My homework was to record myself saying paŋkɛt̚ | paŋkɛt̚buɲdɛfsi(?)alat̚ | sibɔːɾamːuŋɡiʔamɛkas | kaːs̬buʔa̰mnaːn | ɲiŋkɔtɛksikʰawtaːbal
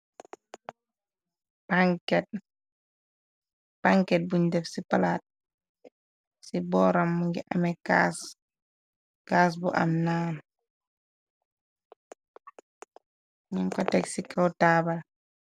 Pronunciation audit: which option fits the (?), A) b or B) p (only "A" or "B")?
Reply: B